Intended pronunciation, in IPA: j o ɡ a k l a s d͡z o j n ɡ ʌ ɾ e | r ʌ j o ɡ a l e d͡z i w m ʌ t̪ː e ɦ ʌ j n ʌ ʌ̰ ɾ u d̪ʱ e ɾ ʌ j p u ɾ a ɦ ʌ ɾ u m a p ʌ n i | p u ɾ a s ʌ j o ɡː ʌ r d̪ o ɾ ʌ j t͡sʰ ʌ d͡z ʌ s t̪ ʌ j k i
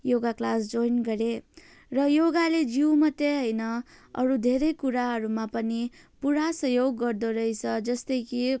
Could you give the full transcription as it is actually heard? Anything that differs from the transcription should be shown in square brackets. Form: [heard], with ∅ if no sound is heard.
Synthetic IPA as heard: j o ɡ a k l a s d͡z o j n ɡ ʌ ɾ e | r ʌ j o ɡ a l e d͡z i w m ʌ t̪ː e ɦ ʌ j n ʌ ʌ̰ ɾ u d̪ʱ e ɾ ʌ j [k] u ɾ a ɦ ʌ ɾ u m a p ʌ n i | p u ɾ a s ʌ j o ɡː ʌ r d̪ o ɾ ʌ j t͡sʰ ʌ d͡z ʌ s t̪ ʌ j k i